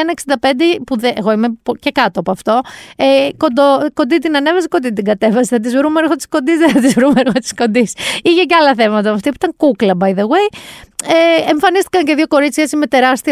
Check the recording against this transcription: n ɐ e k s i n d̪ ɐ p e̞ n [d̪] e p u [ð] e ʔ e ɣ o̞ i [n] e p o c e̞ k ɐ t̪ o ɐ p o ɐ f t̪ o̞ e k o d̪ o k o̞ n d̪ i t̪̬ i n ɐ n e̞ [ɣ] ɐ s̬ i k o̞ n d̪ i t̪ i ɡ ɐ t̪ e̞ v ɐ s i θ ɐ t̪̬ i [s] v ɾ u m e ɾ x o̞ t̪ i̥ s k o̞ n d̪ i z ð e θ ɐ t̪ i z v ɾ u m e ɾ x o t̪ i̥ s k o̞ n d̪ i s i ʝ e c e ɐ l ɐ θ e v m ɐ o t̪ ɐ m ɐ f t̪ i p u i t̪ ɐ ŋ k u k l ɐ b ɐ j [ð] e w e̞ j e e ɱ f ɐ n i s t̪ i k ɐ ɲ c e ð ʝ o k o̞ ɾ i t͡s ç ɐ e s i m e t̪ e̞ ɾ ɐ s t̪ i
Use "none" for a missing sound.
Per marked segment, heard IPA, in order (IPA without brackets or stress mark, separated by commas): d̪, ð, m, v, z, ð